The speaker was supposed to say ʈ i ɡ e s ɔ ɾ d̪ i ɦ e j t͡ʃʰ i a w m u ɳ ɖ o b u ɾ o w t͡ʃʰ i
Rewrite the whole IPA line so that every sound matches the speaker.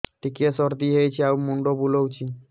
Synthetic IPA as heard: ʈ i k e s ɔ ɾ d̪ i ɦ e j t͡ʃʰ i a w m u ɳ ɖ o b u l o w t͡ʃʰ i